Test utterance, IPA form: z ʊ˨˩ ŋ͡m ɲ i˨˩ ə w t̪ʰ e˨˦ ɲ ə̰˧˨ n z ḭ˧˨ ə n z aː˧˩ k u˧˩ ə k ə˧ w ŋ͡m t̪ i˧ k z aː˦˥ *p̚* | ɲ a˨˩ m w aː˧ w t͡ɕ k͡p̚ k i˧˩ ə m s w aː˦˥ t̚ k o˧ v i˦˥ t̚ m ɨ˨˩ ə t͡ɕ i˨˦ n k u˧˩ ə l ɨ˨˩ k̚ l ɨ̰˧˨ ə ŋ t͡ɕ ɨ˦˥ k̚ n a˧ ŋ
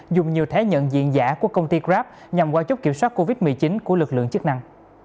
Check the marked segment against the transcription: correct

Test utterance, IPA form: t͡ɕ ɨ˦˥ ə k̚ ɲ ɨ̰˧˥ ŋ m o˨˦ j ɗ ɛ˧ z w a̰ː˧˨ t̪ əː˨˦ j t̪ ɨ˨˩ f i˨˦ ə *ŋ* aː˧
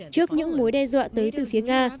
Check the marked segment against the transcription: correct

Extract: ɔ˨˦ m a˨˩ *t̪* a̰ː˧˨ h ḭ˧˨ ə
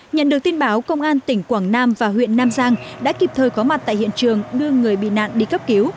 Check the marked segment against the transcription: correct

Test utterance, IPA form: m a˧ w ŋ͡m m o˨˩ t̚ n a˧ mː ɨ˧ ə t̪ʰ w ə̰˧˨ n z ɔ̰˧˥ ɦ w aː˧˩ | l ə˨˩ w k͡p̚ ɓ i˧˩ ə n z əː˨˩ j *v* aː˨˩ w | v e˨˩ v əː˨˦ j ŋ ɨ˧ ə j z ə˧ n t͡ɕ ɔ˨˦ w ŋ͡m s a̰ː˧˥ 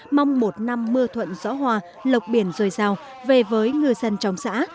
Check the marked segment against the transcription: incorrect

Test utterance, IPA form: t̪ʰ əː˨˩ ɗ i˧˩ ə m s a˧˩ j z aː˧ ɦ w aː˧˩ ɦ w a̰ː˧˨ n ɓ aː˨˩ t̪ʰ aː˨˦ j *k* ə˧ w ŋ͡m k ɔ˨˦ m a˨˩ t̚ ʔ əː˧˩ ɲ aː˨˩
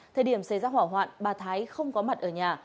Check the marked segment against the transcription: incorrect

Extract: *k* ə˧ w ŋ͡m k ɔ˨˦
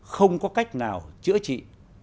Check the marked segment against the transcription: incorrect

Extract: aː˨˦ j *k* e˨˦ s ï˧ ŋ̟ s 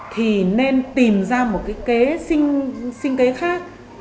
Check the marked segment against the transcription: correct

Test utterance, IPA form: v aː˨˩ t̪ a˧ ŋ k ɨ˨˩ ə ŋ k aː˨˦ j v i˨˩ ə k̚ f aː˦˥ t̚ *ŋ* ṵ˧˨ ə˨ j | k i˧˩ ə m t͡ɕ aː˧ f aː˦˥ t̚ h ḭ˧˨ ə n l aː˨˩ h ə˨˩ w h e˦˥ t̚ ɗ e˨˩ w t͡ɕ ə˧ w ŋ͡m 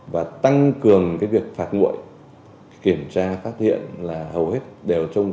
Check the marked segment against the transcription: correct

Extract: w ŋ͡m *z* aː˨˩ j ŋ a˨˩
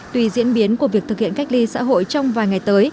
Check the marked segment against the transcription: incorrect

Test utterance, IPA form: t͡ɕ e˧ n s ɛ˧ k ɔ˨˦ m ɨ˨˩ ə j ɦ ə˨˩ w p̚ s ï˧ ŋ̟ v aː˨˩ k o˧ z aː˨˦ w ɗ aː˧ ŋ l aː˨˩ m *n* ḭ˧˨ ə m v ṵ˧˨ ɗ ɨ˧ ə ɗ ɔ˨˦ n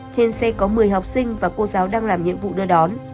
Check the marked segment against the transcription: incorrect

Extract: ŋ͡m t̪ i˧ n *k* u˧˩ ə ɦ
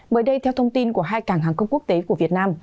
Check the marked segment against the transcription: correct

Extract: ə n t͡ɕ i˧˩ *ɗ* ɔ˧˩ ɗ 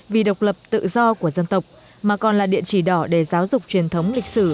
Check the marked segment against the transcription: correct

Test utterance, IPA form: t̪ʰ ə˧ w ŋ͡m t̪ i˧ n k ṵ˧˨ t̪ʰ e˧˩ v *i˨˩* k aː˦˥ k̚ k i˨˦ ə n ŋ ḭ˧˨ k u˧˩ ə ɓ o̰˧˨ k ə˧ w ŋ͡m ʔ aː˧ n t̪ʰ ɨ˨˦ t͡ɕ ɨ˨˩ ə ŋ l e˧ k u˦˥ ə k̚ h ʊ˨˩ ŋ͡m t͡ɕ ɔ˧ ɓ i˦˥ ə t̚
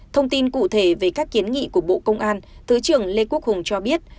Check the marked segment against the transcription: incorrect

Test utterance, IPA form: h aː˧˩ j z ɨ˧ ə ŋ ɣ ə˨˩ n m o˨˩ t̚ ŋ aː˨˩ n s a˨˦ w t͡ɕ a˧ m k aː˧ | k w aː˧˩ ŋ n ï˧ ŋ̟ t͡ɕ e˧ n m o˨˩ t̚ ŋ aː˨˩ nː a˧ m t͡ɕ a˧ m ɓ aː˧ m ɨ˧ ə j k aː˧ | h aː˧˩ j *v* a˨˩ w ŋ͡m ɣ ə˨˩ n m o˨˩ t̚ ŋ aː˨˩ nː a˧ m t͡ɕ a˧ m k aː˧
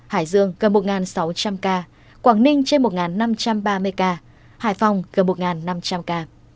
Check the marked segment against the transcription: incorrect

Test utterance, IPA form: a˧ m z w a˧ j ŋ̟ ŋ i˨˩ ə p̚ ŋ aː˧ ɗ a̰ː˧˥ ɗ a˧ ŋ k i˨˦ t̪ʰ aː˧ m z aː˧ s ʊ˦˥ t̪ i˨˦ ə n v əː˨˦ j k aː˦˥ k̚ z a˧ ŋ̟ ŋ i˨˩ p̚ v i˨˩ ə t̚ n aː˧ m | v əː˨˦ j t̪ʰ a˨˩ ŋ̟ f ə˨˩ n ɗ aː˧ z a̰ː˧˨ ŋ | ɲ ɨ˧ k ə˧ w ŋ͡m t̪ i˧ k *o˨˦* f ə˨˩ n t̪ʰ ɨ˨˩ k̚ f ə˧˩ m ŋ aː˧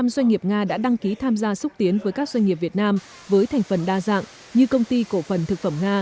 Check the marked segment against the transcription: incorrect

